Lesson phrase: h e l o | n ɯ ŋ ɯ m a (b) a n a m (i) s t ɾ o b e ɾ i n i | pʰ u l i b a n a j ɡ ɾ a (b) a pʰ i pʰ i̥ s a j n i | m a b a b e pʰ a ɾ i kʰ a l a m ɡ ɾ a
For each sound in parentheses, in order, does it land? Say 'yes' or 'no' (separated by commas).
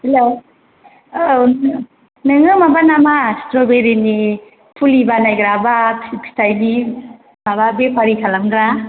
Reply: yes, no, yes